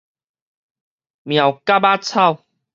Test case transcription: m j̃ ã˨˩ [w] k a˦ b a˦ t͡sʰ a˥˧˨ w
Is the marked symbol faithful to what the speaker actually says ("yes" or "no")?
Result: yes